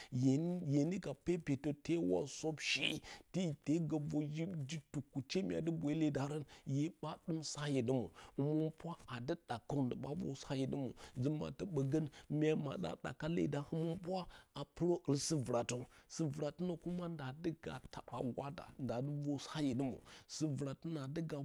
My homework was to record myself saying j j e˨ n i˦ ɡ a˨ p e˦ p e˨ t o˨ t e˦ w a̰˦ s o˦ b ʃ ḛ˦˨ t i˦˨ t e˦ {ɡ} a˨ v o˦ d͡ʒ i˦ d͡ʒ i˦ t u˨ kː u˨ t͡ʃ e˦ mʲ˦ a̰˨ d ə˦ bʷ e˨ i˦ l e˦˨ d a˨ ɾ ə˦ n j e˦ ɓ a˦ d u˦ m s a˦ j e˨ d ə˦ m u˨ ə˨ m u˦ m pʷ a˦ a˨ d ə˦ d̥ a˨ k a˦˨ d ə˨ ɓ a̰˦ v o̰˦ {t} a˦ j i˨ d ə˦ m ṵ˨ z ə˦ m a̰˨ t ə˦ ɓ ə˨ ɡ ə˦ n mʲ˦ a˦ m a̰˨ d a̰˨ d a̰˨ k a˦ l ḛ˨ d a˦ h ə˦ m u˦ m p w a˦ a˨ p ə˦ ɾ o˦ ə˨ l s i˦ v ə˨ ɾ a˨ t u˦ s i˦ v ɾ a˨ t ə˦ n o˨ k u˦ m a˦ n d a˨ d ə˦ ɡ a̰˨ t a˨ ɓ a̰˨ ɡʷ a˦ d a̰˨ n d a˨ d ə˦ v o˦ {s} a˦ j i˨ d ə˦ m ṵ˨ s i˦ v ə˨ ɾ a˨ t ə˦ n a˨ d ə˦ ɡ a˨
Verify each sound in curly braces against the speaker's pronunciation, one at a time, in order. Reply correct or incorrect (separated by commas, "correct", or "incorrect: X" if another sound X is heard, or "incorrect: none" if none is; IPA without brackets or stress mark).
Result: correct, incorrect: s, correct